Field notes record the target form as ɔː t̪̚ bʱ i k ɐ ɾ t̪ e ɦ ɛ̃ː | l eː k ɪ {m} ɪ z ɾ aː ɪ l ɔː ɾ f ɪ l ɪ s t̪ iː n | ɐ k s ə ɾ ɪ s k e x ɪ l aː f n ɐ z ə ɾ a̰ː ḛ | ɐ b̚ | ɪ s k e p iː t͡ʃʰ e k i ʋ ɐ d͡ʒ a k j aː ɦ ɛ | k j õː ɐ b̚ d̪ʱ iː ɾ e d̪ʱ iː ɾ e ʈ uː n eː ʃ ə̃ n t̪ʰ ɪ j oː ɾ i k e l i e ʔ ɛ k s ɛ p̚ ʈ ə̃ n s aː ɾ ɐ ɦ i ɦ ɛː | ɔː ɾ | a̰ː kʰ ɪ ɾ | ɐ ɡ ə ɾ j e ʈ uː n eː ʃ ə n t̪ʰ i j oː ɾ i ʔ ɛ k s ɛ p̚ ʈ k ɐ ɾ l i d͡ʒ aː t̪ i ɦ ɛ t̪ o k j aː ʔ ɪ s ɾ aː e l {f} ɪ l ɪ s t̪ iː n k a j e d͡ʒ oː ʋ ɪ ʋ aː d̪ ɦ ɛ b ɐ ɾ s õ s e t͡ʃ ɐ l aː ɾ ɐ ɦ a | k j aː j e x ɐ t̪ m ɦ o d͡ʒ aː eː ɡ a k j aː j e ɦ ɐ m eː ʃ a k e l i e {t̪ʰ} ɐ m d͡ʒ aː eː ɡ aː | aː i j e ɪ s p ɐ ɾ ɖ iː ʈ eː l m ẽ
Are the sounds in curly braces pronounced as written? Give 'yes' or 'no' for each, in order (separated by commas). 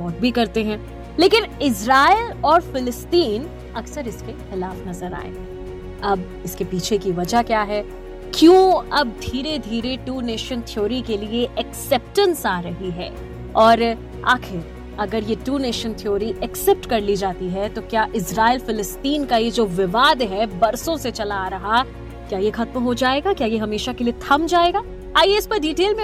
no, yes, yes